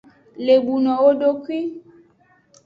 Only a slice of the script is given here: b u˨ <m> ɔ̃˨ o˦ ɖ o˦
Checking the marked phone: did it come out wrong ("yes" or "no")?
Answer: yes